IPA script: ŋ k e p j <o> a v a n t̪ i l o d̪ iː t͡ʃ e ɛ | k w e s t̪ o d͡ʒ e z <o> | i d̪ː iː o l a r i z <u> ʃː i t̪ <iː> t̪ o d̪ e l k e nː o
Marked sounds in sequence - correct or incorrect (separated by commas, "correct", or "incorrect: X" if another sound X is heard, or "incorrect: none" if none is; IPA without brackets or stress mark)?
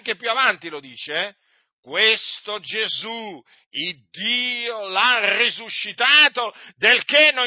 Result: incorrect: u, incorrect: u, correct, incorrect: aː